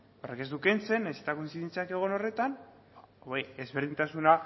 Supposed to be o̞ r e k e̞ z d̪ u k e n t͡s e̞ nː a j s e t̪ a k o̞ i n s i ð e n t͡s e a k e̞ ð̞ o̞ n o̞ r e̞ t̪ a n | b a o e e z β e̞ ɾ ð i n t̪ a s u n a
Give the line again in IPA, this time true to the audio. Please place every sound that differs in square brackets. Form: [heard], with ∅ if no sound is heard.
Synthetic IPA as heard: o̞ r e k e̞ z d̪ u k e n t͡s e̞ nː a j s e t̪ a k o̞ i n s i ð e n t͡s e a k e̞ [ɣ̞] o̞ n o̞ r e̞ t̪ a n | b a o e e z β e̞ ɾ ð i n t̪ a s u n a